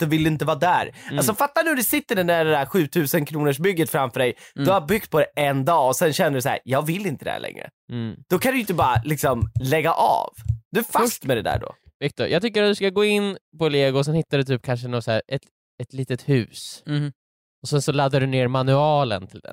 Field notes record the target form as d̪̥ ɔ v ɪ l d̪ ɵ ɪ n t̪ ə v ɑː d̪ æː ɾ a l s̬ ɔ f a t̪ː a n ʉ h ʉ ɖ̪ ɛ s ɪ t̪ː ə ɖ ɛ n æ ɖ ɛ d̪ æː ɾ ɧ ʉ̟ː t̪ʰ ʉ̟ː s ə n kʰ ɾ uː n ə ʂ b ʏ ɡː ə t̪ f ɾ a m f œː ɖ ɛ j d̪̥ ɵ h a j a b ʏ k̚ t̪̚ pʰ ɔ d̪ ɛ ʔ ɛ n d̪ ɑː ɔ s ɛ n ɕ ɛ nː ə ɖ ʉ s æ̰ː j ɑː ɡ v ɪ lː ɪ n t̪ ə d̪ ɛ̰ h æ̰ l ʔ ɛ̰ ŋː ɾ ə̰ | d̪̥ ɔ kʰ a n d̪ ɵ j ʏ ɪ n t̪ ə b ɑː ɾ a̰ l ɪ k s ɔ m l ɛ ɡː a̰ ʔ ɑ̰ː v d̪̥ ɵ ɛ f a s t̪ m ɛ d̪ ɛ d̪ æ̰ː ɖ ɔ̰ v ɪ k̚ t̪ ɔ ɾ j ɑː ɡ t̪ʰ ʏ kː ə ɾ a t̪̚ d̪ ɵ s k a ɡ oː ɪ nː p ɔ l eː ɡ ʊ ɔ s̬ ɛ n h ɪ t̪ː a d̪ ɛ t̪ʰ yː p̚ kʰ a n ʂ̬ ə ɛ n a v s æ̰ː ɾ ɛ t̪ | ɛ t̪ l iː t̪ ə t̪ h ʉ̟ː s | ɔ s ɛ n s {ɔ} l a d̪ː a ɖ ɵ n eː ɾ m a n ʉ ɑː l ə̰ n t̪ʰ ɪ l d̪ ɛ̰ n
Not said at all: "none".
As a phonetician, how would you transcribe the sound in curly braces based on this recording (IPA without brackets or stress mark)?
ɔ